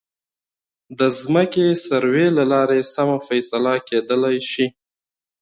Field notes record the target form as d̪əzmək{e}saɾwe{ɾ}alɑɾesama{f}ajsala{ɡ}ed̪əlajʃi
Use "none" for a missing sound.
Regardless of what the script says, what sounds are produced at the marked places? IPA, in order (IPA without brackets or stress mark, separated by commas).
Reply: e, l, f, k